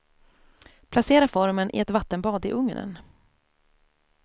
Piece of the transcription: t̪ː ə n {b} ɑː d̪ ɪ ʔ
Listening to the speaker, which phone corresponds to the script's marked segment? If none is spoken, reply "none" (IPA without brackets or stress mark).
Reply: b